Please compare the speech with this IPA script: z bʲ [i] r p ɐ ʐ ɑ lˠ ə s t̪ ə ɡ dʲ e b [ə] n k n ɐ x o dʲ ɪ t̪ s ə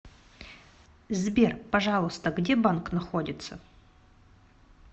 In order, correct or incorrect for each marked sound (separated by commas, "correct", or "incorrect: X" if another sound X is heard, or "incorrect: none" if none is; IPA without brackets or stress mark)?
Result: incorrect: e, incorrect: a